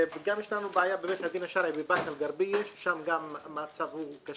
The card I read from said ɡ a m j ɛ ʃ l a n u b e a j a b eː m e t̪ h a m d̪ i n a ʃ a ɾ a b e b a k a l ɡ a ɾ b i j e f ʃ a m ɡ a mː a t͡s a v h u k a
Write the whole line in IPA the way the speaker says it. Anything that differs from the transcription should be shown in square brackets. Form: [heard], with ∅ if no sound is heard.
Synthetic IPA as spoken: ɡ a m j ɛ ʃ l a n u b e a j a b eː m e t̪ h a [∅] d̪ i n a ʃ a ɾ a b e b a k a l ɡ a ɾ b i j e [ʃ] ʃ a m ɡ a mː a t͡s a v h u k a

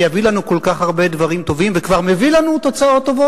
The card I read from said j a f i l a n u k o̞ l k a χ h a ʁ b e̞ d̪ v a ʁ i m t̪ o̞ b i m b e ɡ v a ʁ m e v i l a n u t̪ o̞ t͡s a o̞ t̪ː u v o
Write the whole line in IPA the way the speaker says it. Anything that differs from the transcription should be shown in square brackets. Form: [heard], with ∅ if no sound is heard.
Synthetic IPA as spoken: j a [v] i l a n u k o̞ l k a χ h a ʁ b e̞ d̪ v a ʁ i m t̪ o̞ [v] i m [v] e [k] v a ʁ m e v i l a n u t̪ o̞ t͡s a o̞ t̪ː [o] v o

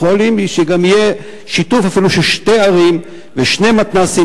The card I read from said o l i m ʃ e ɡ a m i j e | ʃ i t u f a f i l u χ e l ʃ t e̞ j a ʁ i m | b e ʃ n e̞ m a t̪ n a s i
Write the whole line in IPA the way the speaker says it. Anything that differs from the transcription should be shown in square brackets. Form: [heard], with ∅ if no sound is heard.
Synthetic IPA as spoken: o l i m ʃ e ɡ a m i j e | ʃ i t u f a f i l u [ʃ] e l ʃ t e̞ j a ʁ i m | [v] e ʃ n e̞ m a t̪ n a s i

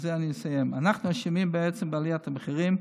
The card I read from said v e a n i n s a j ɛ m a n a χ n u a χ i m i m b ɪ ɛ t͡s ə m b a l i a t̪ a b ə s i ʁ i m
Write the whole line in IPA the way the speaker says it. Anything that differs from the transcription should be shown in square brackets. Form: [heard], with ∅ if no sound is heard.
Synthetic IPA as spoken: [z] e a n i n s a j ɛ m a n a χ n u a [ʃ] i m i m b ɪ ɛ t͡s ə m b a l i a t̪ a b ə [χ] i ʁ i m

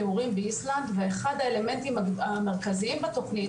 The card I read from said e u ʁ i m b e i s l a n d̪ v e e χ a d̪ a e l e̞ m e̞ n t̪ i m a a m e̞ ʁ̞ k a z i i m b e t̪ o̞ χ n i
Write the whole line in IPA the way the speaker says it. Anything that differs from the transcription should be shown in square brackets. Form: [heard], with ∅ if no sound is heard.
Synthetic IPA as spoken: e u ʁ i m b e i s l a n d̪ v e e χ a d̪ a e l e̞ m e̞ n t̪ i m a a m e̞ ʁ̞ k a z i i m b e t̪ o̞ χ n i

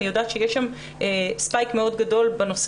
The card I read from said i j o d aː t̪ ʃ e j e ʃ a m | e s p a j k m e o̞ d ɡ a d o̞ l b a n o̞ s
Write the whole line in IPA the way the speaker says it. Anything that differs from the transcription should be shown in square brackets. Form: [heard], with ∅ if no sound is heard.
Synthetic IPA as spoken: i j o d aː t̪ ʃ e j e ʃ a m | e s p a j k m e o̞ d ɡ a d o̞ l b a n o̞ s

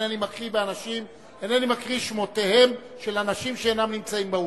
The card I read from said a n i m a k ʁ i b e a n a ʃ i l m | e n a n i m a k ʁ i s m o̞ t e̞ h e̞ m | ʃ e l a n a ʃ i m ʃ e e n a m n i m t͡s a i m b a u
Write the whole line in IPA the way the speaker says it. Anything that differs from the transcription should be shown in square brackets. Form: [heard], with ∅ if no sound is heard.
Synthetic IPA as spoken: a n i m a k ʁ i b e a n a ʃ i [∅] m | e n a n i m a k ʁ i [ʃ] m o̞ t e̞ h e̞ m | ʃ e l a n a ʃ i m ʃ e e n a m n i m t͡s a i m b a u

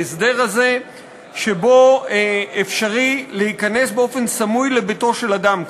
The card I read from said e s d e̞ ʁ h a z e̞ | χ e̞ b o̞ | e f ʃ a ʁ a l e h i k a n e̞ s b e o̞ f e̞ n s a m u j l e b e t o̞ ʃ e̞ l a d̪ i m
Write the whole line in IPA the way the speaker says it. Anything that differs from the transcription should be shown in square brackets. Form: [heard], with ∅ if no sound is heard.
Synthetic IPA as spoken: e s d e̞ ʁ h a z e̞ | [ʃ] e̞ b o̞ | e f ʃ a ʁ [i] l e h i k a n e̞ s b e o̞ f e̞ n s a m u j l e b e t o̞ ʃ e̞ l a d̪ [a] m

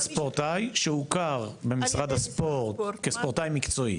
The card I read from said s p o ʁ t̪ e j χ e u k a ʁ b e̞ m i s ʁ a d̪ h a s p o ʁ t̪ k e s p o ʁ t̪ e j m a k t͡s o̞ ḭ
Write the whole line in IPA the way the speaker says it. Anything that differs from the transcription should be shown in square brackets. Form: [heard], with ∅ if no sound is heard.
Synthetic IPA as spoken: s p o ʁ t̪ [a] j [ʃ] e u k a ʁ b e̞ m i s ʁ a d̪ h a s p o ʁ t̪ k e s p o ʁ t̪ [a] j m [i] k t͡s o̞ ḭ

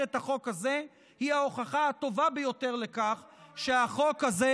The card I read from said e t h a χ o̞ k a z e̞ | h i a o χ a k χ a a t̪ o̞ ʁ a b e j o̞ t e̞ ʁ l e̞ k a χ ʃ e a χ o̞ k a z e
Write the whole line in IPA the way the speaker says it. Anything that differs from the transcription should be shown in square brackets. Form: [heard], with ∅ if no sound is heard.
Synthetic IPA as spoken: e t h a χ o̞ k a z e̞ | h i a o χ a [∅] χ a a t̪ o̞ [v] a b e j o̞ t e̞ ʁ l e̞ k a χ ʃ e a χ o̞ k a z e

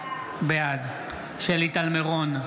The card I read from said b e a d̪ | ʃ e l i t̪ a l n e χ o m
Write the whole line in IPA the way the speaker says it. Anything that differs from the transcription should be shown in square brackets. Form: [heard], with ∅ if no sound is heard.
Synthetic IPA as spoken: b e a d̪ | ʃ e l i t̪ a l [m] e [ʁ] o [n]

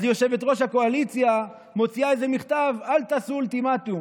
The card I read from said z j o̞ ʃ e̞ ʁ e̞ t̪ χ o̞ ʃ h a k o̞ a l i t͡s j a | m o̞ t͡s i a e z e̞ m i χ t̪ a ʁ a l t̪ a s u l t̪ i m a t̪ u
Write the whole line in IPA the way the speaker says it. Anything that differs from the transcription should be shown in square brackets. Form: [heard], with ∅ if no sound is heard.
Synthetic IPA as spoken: z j o̞ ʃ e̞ [v] e̞ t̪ [ʁ] o̞ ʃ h a k o̞ a l i t͡s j a | m o̞ t͡s i a e z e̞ m i χ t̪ a [v] a l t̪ a s u l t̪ i m a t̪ u

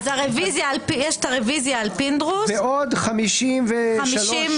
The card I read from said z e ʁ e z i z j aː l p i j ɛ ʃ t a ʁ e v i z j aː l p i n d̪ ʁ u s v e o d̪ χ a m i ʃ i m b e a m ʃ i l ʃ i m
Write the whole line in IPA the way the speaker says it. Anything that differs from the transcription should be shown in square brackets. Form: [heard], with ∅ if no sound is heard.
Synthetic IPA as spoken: z [a] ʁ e [v] i z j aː l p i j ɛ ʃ t a ʁ e v i z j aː l p i n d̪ ʁ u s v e o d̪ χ a m i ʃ i m [v] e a m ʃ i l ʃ i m

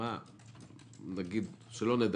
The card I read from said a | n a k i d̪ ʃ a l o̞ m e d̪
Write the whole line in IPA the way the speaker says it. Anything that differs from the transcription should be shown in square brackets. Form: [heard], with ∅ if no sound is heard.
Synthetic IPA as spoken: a | n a [ɡ] i d̪ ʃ [e] l o̞ [n] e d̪

